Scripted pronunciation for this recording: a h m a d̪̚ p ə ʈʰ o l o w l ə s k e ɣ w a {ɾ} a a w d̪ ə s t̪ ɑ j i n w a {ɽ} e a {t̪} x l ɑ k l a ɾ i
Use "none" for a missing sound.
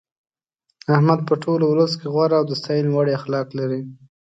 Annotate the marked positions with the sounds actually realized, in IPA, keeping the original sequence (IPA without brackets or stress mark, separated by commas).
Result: ɾ, ɽ, none